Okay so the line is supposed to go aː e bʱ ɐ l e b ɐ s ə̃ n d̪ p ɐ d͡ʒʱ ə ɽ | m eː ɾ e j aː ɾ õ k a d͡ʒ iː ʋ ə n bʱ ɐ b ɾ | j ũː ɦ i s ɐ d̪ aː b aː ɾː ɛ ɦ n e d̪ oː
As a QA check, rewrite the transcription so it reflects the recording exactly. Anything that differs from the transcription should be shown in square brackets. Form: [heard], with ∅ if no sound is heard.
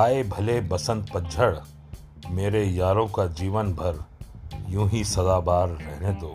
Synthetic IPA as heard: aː e bʱ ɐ l e b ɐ s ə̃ n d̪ p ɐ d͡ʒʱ ə ɽ | m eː ɾ e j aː ɾ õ k a d͡ʒ iː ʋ ə n bʱ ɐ [∅] ɾ | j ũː ɦ i s ɐ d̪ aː b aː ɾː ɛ ɦ n e d̪ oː